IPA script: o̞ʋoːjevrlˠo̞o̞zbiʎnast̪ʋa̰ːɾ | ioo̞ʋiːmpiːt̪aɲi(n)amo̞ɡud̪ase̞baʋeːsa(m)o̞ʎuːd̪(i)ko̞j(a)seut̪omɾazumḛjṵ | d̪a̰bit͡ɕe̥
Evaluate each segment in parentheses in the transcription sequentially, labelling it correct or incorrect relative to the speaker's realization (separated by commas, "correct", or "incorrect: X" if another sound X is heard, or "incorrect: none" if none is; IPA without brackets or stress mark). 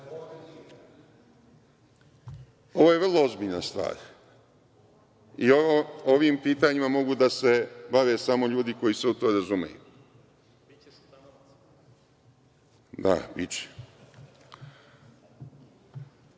incorrect: m, correct, correct, incorrect: i